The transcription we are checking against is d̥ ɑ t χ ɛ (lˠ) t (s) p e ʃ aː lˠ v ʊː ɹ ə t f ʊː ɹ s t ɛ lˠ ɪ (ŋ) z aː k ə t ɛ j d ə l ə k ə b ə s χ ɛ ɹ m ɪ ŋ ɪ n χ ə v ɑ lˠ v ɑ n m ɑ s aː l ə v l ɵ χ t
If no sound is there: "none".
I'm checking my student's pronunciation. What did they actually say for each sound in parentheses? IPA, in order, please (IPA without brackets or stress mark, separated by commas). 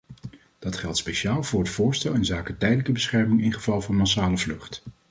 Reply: lˠ, s, n